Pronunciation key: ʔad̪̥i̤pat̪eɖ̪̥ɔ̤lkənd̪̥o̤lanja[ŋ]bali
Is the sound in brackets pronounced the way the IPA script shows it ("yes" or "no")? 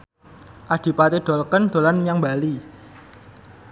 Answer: yes